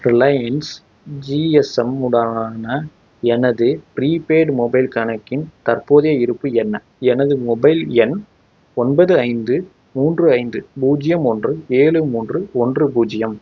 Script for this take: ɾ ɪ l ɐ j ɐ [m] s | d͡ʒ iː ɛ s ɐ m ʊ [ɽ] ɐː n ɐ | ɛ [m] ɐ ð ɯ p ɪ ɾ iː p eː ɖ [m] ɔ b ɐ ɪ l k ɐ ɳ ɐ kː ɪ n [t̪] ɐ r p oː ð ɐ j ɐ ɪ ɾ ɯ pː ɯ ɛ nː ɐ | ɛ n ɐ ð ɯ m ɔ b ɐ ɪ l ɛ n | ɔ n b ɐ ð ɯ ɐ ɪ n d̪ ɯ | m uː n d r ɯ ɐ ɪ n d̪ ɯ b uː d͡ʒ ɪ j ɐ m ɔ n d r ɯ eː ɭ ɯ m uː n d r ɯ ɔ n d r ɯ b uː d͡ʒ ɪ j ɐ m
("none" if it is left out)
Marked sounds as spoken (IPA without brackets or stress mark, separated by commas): n, ɽ, n, m, t̪